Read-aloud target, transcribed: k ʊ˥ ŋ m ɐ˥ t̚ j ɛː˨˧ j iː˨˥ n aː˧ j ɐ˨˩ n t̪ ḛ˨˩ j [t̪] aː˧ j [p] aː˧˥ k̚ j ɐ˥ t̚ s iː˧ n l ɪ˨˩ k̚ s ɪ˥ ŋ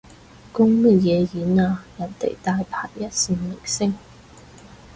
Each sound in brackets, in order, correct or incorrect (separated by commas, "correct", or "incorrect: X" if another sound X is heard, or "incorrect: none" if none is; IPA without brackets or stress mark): correct, incorrect: pʰ